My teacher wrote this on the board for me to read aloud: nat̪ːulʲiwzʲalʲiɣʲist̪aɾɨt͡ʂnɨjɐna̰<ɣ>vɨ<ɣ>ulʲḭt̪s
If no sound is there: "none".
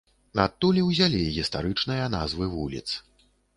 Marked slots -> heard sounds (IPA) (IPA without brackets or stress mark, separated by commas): z, v